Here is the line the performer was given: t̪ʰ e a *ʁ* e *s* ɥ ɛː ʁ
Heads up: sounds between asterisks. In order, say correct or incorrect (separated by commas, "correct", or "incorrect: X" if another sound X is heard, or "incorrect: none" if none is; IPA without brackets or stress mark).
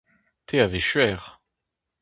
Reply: incorrect: v, incorrect: ʃ